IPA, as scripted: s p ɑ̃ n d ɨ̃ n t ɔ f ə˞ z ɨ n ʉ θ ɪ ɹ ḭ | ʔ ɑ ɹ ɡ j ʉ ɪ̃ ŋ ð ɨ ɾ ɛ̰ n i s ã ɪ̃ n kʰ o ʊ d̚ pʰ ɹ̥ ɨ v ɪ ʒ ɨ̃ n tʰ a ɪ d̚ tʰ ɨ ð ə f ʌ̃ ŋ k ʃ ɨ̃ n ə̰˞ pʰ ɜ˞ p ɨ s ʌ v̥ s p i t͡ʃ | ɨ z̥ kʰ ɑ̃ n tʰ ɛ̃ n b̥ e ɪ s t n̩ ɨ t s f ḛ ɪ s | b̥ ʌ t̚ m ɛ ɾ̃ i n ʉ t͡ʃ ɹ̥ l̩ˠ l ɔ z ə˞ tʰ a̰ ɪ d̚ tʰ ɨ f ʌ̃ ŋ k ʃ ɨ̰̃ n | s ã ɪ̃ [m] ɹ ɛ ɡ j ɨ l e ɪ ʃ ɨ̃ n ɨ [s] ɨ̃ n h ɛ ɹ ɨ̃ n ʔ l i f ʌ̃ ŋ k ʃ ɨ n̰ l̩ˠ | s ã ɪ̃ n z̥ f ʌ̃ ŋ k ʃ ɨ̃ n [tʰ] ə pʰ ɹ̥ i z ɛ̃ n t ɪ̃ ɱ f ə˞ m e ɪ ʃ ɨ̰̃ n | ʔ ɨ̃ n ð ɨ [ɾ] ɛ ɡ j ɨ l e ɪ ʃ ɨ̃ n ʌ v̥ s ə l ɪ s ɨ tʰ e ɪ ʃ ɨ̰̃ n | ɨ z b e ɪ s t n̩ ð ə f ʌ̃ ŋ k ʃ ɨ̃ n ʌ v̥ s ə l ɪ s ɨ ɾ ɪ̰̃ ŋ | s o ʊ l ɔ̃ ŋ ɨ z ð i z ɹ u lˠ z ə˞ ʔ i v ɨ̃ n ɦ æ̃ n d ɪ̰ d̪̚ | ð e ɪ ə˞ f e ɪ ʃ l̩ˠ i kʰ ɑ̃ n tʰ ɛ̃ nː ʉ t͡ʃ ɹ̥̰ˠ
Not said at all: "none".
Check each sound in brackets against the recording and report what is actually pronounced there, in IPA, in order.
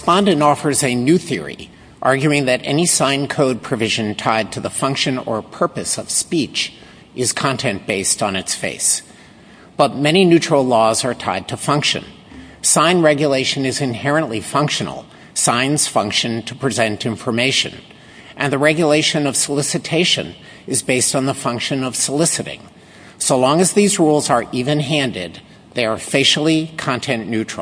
n, z, tʰ, ɹ

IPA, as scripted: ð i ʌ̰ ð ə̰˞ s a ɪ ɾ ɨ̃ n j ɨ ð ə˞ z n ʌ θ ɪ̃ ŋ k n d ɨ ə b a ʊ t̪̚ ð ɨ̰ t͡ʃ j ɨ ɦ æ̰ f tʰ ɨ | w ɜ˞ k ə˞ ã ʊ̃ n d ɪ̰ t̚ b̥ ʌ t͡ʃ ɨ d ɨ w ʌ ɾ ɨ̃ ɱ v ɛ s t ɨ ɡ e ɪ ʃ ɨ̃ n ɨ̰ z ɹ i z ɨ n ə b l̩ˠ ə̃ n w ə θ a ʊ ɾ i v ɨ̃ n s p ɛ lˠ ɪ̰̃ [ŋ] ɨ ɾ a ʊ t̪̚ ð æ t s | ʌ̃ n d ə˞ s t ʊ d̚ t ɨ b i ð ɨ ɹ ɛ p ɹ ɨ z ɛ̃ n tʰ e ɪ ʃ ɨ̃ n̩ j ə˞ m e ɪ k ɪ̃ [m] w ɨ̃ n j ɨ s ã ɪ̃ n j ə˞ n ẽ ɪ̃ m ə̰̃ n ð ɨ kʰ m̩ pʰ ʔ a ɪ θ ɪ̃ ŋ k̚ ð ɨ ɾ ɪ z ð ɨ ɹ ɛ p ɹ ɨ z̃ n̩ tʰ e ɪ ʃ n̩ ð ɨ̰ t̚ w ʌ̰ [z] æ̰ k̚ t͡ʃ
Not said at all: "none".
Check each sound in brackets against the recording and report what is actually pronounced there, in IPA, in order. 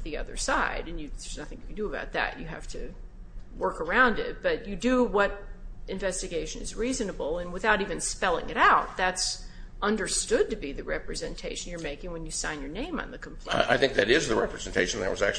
ŋ, ŋ, z

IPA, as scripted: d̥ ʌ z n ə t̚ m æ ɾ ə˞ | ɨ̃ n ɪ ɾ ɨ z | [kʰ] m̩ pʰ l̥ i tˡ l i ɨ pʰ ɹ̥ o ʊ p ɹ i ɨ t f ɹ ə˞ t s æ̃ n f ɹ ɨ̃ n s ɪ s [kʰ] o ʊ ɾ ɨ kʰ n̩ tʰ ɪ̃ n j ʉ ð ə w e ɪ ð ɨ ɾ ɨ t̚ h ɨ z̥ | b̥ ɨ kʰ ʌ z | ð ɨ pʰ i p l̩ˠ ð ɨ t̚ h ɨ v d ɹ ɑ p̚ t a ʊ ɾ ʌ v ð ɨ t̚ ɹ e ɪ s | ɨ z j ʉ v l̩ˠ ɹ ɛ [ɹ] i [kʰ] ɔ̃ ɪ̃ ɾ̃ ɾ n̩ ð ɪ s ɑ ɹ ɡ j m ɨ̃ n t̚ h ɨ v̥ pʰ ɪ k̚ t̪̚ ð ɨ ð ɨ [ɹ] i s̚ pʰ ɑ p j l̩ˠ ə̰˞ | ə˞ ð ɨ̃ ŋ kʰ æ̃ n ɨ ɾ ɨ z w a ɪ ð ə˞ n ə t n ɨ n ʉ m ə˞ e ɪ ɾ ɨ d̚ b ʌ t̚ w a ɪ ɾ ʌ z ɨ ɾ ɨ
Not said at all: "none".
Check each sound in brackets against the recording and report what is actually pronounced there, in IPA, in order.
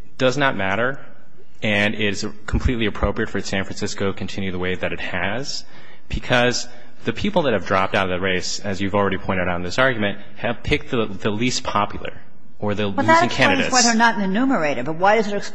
kʰ, k, ɾ, pʰ, l

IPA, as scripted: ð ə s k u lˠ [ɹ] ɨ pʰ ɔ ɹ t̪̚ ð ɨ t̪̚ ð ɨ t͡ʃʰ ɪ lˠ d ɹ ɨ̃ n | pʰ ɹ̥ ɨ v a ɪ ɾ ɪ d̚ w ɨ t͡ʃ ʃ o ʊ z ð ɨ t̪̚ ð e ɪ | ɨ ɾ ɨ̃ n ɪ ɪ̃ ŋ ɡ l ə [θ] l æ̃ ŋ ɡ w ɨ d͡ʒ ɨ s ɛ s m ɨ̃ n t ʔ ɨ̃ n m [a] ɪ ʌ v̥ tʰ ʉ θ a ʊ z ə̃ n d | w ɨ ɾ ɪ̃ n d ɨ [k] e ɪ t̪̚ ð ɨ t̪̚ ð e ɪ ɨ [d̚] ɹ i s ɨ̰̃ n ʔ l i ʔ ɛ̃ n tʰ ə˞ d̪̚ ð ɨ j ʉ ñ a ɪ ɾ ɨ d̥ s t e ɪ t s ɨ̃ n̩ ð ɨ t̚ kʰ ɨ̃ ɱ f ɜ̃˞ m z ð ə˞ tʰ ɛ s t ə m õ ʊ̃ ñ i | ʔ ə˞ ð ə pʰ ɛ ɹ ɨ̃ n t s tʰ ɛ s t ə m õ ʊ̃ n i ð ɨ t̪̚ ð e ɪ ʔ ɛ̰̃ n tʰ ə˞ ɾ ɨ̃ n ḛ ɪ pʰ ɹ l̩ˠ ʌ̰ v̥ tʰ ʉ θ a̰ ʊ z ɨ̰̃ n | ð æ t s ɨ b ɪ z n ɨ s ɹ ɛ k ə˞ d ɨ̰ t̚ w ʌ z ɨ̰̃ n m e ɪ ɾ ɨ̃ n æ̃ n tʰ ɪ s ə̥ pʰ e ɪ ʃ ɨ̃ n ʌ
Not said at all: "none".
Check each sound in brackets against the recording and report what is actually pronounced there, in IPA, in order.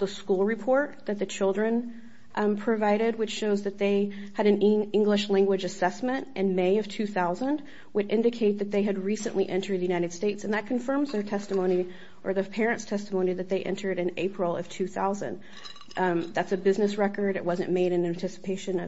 ɹ, ʃ, e, kʰ, d̚

